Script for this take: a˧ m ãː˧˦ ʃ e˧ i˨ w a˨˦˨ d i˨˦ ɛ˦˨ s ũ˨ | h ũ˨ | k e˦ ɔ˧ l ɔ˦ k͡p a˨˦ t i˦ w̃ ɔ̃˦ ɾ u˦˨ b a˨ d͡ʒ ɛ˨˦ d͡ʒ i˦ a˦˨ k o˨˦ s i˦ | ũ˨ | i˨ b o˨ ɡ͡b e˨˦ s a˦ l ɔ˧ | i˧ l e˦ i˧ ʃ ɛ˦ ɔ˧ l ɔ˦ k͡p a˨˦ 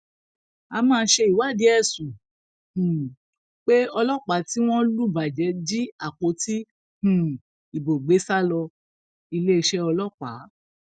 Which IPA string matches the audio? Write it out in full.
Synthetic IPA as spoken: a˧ m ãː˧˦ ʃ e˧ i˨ w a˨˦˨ d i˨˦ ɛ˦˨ s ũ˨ | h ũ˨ | k͡p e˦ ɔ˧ l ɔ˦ k͡p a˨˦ t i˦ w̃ ɔ̃˦ l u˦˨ b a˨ d͡ʒ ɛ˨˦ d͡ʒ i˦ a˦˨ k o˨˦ t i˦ | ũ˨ | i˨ b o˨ ɡ͡b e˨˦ s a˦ l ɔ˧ | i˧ l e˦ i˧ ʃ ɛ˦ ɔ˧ l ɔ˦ k͡p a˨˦

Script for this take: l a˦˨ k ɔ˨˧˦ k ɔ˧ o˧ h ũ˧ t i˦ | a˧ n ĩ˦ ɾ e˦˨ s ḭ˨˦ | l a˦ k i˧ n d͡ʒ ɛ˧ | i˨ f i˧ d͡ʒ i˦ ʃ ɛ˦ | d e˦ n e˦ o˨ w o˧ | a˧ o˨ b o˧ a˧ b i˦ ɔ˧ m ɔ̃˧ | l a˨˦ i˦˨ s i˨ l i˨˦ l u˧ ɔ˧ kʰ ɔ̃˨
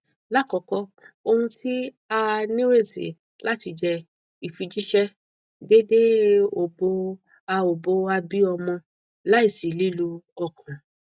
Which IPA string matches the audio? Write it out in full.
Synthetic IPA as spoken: l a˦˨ k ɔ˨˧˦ k ɔ˧ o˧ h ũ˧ t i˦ | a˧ n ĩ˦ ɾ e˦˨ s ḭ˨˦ | l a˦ t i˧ d͡ʒ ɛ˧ | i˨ f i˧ d͡ʒ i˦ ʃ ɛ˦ | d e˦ d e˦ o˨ b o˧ | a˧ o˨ b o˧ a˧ b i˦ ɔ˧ m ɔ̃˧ | l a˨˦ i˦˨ s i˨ l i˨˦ l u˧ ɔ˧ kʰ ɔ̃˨

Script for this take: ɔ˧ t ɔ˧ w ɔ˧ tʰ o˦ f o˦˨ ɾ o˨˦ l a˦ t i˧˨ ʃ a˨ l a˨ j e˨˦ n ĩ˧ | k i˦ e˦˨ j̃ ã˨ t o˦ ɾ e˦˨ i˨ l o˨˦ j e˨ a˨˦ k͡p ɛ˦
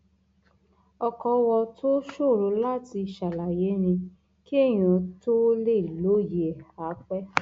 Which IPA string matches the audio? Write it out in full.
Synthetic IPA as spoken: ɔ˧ k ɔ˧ w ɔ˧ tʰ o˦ ʃ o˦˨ ɾ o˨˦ l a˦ t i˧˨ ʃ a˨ l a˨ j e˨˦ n ĩ˧ | k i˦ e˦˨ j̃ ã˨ t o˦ l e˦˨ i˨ l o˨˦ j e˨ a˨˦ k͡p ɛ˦

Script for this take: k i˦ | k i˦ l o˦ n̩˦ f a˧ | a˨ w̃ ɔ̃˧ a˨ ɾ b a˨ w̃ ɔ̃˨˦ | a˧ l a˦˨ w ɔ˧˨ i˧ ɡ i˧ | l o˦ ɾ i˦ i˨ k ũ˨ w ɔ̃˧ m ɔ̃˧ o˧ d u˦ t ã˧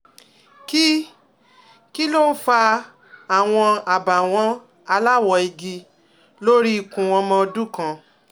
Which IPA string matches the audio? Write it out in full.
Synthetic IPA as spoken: k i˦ | k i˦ l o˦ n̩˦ f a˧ | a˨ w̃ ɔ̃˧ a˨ b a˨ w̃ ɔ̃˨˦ | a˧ l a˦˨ w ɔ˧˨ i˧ ɡ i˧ | l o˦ ɾ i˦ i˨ k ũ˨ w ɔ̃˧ m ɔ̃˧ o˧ d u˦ k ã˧

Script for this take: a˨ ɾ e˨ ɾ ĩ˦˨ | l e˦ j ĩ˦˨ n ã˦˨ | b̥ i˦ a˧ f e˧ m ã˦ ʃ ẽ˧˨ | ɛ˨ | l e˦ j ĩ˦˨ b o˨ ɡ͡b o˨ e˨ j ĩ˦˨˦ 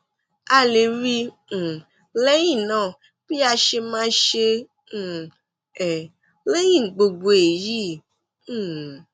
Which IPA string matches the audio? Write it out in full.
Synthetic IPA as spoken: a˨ l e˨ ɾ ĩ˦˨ | l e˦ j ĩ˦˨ n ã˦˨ | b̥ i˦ a˧ ʃ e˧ m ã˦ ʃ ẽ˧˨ | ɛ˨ | l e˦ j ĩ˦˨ ɡ͡b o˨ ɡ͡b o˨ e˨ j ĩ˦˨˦

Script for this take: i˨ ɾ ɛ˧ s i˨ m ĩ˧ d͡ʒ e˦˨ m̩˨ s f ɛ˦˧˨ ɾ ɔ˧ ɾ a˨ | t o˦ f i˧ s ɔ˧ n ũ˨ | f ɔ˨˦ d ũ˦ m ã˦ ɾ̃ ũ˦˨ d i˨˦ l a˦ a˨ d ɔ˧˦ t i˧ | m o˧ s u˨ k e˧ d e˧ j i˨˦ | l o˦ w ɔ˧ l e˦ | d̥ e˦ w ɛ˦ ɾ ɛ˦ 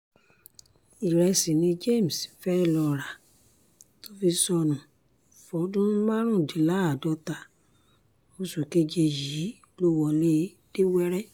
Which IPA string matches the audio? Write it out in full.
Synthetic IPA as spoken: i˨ ɾ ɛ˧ s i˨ n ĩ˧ d͡ʒ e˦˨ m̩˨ s f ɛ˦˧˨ l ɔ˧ ɾ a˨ | t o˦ f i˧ s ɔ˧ n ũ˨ | f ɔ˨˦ d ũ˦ m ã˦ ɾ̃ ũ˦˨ d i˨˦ l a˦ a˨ d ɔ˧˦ t a˧ | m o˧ s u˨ k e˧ d͡ʒ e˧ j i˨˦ | l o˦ w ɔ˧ l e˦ | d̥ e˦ w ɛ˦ ɾ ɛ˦

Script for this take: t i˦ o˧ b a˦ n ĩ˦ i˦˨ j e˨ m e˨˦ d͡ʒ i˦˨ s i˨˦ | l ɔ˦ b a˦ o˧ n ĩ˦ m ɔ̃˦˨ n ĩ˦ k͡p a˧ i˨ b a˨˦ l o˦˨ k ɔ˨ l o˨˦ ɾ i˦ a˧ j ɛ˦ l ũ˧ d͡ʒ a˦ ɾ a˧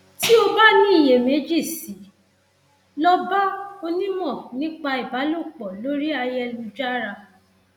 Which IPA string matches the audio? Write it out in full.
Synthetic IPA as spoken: t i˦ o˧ b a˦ n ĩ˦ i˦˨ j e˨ m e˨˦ d͡ʒ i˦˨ s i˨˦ | l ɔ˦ b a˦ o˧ n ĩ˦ m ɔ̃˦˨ n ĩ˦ k͡p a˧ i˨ b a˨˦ l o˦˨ k͡p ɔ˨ l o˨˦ ɾ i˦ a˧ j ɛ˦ l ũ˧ d͡ʒ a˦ ɾ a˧

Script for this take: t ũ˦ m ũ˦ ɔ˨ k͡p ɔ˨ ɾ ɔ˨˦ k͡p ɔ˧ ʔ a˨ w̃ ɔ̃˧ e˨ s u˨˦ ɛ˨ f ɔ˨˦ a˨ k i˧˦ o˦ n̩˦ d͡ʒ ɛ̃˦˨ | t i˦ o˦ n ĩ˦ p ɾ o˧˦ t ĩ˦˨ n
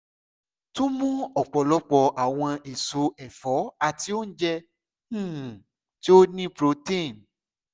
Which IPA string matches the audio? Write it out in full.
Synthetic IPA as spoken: t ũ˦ m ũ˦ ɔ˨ k͡p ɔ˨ l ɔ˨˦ k͡p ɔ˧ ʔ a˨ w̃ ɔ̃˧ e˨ s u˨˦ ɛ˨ f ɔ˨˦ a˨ t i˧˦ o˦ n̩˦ d͡ʒ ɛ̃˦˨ | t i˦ o˦ n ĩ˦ p ɾ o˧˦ t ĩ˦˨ n

